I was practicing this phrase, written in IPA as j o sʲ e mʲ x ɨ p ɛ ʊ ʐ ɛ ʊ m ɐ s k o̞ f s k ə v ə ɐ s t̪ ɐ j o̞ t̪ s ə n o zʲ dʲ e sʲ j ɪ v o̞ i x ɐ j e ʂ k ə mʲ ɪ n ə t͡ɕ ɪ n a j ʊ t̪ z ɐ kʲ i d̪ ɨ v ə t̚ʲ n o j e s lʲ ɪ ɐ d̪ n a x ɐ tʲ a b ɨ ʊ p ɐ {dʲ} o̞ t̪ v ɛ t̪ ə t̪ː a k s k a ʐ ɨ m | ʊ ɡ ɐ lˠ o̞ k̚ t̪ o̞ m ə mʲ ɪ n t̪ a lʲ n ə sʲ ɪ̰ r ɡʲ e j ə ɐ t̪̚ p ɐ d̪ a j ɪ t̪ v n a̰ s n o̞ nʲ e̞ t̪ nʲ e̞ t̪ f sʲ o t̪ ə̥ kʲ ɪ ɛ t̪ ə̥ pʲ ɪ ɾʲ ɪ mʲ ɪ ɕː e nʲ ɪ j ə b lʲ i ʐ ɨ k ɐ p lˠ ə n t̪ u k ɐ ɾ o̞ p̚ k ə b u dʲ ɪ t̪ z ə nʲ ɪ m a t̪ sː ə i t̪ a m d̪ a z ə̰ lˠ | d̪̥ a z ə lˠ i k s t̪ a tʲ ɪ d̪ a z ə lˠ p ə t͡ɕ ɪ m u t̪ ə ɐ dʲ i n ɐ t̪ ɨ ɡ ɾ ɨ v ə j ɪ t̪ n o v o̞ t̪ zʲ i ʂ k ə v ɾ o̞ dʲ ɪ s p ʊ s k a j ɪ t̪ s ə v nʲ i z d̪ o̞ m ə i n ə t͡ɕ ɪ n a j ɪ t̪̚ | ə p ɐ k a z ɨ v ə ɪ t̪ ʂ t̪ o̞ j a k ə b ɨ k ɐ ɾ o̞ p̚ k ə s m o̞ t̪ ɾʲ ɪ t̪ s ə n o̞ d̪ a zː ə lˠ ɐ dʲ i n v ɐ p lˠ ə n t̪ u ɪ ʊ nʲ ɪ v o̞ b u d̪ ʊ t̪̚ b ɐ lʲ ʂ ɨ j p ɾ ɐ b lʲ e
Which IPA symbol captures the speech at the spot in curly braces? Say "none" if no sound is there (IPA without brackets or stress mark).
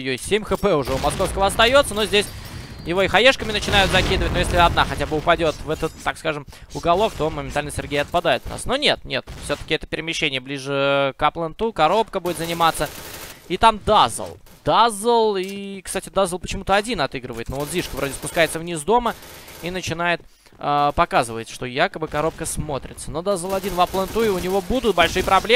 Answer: dʲ